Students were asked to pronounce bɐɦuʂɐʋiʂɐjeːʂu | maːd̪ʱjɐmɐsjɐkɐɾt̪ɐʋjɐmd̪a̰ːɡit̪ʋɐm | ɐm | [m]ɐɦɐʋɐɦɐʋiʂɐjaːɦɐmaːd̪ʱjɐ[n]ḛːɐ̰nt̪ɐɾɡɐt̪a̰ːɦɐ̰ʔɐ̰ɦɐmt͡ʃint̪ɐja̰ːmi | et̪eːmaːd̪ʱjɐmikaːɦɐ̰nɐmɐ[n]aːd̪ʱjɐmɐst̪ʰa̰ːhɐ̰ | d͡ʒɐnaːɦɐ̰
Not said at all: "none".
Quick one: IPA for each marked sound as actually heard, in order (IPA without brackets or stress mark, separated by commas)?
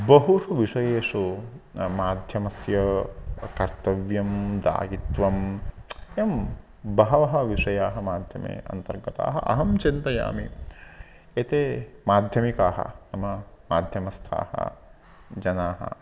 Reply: b, m, m